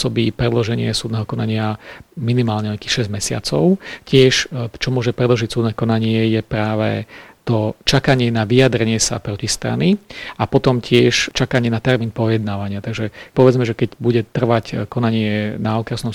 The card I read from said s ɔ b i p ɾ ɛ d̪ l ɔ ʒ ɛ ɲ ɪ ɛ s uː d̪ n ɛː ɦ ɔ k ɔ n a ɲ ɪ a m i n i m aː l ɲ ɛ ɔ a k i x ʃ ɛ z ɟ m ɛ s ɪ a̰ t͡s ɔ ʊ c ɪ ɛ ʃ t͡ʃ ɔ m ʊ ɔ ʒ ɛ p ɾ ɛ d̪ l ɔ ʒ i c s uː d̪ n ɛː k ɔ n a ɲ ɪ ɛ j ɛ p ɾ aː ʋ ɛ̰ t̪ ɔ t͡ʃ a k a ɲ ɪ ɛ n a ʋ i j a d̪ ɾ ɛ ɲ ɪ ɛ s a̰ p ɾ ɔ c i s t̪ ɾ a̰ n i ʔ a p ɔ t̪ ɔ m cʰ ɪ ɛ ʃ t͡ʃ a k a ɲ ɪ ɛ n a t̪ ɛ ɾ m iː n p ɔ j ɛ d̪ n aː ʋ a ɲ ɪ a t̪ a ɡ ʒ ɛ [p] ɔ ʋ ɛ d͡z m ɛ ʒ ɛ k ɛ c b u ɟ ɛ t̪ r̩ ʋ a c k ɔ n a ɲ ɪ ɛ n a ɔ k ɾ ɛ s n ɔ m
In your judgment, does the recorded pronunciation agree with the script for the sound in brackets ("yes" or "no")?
yes